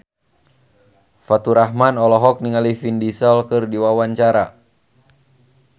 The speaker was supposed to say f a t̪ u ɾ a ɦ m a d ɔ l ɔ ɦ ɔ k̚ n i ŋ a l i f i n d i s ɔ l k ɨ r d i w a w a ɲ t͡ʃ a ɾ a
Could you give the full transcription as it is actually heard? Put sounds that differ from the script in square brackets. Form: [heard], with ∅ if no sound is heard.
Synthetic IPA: f a t̪ u ɾ a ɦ m a [n] ɔ l ɔ ɦ ɔ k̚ n i ŋ a l i f i n d i s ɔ l k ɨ r d i w a w a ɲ t͡ʃ a ɾ a